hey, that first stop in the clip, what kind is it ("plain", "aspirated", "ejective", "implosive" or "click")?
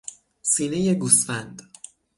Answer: plain